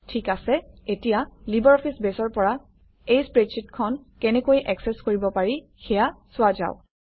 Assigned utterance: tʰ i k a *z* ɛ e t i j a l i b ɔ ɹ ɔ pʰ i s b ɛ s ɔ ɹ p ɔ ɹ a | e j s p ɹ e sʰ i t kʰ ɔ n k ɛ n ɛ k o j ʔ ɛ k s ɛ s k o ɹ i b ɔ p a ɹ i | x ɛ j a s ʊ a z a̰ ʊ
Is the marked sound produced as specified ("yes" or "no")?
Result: no